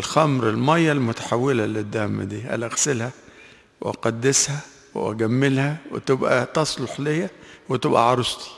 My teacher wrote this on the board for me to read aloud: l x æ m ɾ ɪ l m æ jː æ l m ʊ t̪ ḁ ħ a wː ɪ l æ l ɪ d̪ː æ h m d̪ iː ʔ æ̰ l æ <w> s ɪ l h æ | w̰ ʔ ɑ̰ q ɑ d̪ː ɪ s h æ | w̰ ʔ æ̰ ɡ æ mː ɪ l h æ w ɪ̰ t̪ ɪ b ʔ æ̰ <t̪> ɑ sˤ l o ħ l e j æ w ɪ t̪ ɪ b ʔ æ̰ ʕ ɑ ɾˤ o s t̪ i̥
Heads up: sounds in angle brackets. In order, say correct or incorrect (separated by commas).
incorrect, correct